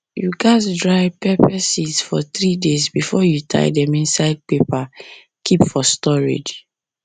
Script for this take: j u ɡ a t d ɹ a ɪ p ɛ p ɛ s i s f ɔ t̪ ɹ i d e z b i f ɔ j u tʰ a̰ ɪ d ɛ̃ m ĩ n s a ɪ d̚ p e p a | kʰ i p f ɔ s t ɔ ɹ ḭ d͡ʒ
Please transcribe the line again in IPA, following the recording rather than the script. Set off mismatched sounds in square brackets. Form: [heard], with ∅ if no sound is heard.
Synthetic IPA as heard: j u ɡ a t d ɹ a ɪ p ɛ p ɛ s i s f ɔ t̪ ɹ i d e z b i f ɔ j u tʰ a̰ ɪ d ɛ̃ m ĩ n s a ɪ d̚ p e p a | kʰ i p f ɔ s t ɔ ɹ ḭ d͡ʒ